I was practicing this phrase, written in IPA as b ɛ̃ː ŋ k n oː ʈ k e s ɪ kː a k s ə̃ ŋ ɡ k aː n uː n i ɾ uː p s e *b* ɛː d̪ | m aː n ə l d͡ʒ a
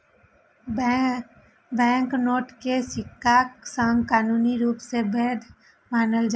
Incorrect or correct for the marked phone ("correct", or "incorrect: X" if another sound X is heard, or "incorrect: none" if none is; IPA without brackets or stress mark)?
correct